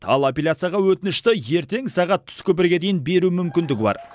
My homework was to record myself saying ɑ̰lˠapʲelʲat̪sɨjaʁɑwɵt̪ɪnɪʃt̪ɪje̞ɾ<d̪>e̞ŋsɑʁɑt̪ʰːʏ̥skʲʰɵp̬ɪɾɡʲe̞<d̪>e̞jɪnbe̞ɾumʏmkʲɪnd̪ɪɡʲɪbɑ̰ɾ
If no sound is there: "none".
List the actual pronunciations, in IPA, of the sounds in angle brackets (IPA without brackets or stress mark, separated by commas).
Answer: t̪, d̪